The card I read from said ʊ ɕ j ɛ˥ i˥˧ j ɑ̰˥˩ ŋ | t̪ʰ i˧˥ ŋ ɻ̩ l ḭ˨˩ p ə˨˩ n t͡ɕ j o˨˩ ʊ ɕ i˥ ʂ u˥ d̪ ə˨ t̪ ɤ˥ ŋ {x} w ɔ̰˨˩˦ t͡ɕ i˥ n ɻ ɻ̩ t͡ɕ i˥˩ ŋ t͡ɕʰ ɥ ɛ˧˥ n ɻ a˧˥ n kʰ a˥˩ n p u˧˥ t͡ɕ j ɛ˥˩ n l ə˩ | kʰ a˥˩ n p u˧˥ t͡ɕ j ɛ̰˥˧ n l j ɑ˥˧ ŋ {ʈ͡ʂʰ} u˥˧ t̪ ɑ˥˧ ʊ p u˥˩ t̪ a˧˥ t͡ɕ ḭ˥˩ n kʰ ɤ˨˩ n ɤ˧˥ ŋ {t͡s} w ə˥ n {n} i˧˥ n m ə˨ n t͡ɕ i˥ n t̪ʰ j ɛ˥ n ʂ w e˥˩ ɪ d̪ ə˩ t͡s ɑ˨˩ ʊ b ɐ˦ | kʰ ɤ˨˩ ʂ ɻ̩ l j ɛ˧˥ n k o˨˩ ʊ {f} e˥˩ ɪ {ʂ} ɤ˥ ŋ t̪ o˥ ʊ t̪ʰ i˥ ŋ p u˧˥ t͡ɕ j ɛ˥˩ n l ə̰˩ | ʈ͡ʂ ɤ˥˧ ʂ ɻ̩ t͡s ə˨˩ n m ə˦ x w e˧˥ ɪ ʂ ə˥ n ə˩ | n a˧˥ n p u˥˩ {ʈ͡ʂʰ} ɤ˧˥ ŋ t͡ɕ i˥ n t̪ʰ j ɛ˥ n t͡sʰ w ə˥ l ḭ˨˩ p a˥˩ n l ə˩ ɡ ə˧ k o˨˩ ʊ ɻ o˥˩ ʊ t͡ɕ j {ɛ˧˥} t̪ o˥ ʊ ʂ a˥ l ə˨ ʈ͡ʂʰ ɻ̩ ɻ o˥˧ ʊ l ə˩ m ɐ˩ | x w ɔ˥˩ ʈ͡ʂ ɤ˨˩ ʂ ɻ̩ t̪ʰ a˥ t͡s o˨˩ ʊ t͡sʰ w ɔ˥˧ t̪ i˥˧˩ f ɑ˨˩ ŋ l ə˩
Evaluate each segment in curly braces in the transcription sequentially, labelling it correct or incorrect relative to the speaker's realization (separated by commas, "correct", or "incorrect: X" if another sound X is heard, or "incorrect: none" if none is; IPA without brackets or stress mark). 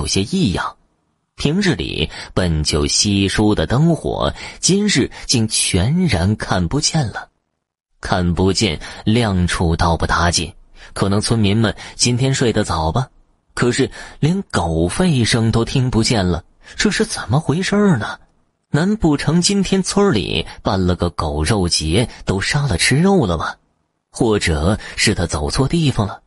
correct, correct, incorrect: t͡sʰ, incorrect: m, correct, correct, correct, correct